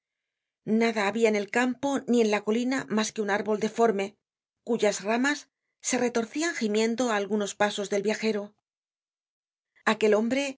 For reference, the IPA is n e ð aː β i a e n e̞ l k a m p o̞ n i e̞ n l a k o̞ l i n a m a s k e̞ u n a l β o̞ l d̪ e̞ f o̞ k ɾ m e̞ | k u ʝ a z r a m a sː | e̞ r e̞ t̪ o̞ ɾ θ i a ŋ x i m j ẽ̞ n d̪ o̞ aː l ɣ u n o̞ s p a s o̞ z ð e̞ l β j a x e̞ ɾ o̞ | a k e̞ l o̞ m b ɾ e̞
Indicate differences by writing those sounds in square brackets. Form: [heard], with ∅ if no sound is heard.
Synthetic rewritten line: n [a] ð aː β i a e n e̞ l k a m p o̞ n i e̞ n l a k o̞ l i n a m a s k e̞ u n a [ɾ] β o̞ l d̪ e̞ f o̞ [∅] ɾ m e̞ | k u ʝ a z r a m a sː | e̞ r e̞ t̪ o̞ ɾ θ i a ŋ x i m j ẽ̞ n d̪ o̞ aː l ɣ u n o̞ s p a s o̞ z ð e̞ l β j a x e̞ ɾ o̞ | a k e̞ l o̞ m b ɾ e̞

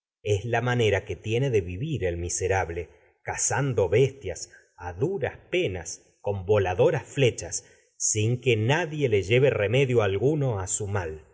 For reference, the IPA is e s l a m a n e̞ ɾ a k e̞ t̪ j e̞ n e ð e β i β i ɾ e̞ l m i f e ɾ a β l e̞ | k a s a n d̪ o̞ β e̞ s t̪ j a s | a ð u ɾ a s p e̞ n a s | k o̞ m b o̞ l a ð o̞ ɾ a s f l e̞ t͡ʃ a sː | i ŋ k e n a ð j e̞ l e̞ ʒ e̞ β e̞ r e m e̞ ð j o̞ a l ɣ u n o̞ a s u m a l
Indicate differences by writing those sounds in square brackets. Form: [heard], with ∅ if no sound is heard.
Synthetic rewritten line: e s l a m a n e̞ ɾ a k e̞ t̪ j e̞ n e ð e β i β i ɾ e̞ l m i [s] e ɾ a β l e̞ | k a s a n d̪ o̞ β e̞ s t̪ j a s | a ð u ɾ a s p e̞ n a s | k o̞ m b o̞ l a ð o̞ ɾ a s f l e̞ t͡ʃ a sː | i ŋ k e n a ð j e̞ l e̞ ʒ e̞ β e̞ r e m e̞ ð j o̞ a l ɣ u n o̞ a s u m a l

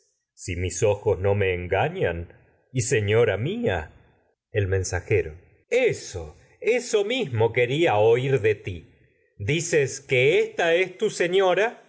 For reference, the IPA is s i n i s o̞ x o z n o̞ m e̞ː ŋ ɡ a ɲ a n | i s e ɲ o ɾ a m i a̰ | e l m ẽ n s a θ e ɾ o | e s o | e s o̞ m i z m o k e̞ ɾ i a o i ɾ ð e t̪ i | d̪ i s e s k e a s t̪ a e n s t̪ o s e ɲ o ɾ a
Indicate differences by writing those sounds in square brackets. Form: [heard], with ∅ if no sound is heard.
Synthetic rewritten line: s i [m] i s o̞ x o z n o̞ m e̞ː ŋ ɡ a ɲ a n | i s e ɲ o ɾ a m i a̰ | e l m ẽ n s a [x] e ɾ o | e s o | e s o̞ m i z m o k e̞ ɾ i a o i ɾ ð e t̪ i | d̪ i s e s k e [e] s t̪ a e [∅] s t̪ [u] s e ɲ o ɾ a

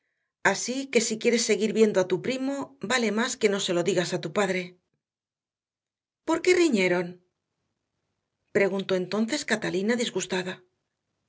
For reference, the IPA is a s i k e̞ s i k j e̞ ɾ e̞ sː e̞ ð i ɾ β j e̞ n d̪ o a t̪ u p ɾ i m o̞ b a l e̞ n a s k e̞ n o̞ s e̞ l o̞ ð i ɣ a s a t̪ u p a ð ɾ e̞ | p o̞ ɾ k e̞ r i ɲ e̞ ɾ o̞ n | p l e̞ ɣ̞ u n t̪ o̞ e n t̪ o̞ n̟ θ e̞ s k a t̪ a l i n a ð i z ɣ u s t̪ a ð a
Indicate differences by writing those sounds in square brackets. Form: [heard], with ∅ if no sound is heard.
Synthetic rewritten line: a s i k e̞ s i k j e̞ ɾ e̞ sː e̞ [ɣ] i ɾ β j e̞ n d̪ o a t̪ u p ɾ i m o̞ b a l e̞ [m] a s k e̞ n o̞ s e̞ l o̞ ð i ɣ a s a t̪ u p a ð ɾ e̞ | p o̞ ɾ k e̞ r i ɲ e̞ ɾ o̞ n | p [ɾ] e̞ ɣ̞ u n t̪ o̞ e n t̪ o̞ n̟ θ e̞ s k a t̪ a l i n a ð i z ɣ u s t̪ a ð a

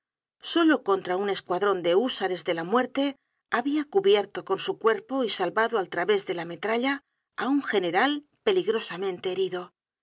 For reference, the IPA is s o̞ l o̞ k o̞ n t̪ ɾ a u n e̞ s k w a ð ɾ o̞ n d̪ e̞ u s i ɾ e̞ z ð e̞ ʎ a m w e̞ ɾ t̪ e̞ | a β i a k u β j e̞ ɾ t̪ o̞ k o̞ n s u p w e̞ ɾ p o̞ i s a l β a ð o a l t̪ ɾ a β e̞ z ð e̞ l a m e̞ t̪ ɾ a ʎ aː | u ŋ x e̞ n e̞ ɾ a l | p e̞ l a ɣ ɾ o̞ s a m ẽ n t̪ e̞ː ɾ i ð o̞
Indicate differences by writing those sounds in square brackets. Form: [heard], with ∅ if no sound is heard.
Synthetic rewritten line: s o̞ l o̞ k o̞ n t̪ ɾ a u n e̞ s k w a ð ɾ o̞ n d̪ e̞ u s [a] ɾ e̞ z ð e̞ [l] a m w e̞ ɾ t̪ e̞ | a β i a k u β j e̞ ɾ t̪ o̞ k o̞ n s u [k] w e̞ ɾ p o̞ i s a l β a ð o a l t̪ ɾ a β e̞ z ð e̞ l a m e̞ t̪ ɾ a ʎ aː | u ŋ x e̞ n e̞ ɾ a l | p e̞ l [i] ɣ ɾ o̞ s a m ẽ n t̪ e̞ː ɾ i ð o̞

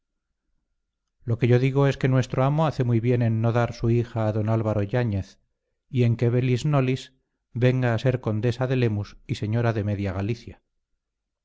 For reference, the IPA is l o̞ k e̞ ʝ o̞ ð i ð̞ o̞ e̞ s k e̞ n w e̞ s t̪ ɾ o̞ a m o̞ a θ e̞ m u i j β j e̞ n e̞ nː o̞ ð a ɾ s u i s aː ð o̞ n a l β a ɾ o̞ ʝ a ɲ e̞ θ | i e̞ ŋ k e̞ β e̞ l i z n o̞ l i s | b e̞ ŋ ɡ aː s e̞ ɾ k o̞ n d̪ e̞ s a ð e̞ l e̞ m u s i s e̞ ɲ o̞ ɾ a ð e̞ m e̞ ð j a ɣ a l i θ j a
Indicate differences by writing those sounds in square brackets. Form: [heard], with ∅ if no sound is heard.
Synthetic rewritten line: l o̞ k e̞ ʝ o̞ ð i [ɣ̞] o̞ e̞ s k e̞ n w e̞ s t̪ ɾ o̞ a m o̞ a θ e̞ m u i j β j e̞ n e̞ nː o̞ ð a ɾ s u i [x] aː ð o̞ n a l β a ɾ o̞ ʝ a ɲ e̞ θ | i e̞ ŋ k e̞ β e̞ l i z n o̞ l i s | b e̞ ŋ ɡ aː s e̞ ɾ k o̞ n d̪ e̞ s a ð e̞ l e̞ m u s i s e̞ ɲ o̞ ɾ a ð e̞ m e̞ ð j a ɣ a l i θ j a

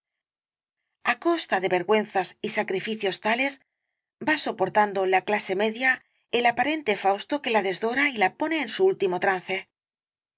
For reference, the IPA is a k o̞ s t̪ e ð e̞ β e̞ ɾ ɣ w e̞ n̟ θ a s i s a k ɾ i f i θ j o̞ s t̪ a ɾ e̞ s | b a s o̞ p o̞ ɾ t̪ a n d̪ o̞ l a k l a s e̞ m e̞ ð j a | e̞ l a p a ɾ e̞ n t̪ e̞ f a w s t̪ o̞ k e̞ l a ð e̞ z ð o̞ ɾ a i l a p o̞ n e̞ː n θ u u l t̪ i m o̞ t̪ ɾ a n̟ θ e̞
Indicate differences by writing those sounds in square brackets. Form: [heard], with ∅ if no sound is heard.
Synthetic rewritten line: a k o̞ s t̪ [a] ð e̞ β e̞ ɾ ɣ w e̞ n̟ θ a s i s a k ɾ i f i θ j o̞ s t̪ a [l] e̞ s | b a s o̞ p o̞ ɾ t̪ a n d̪ o̞ l a k l a s e̞ m e̞ ð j a | e̞ l a p a ɾ e̞ n t̪ e̞ f a w s t̪ o̞ k e̞ l a ð e̞ z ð o̞ ɾ a i l a p o̞ n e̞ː n [s] u u l t̪ i m o̞ t̪ ɾ a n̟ θ e̞

